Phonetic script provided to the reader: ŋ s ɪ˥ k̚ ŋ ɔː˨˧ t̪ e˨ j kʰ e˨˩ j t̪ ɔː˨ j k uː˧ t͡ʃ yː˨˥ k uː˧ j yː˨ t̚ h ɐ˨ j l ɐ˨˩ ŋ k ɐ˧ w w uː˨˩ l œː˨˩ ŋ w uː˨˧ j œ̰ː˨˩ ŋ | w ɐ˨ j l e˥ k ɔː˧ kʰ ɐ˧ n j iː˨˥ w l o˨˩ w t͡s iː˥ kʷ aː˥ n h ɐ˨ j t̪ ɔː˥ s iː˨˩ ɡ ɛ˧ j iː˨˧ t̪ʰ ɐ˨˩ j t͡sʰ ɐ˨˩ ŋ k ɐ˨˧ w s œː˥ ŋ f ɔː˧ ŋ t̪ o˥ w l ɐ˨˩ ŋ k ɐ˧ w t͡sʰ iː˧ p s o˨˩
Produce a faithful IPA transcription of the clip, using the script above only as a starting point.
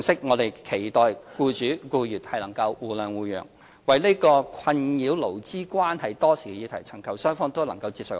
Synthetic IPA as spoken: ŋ s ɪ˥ k̚ ŋ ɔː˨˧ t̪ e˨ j kʰ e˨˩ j t̪ ɔː˨ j k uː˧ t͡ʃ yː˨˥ k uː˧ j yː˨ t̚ h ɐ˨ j l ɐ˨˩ ŋ k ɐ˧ w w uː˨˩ l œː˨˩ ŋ w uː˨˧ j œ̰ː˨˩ ŋ | w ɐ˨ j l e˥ k ɔː˧ kʰ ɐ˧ n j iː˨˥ w l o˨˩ w t͡s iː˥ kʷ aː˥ n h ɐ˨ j t̪ ɔː˥ s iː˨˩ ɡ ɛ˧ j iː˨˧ t̪ʰ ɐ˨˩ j t͡sʰ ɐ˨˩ ŋ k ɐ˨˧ w s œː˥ ŋ f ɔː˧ ŋ t̪ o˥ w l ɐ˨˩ ŋ k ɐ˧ w t͡s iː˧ p s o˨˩